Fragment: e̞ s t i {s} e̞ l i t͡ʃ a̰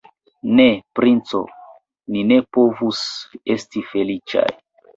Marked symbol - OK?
no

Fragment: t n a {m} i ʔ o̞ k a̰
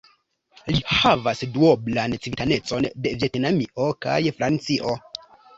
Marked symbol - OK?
yes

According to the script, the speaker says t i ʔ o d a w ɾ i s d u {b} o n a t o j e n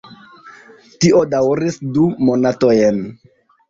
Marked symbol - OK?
no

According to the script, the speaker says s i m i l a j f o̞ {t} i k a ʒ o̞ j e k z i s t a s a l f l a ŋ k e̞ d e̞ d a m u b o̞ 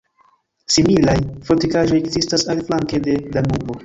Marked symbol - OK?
yes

